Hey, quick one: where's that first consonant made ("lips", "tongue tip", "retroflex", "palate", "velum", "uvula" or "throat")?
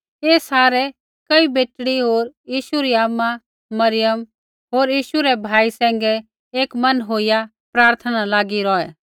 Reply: tongue tip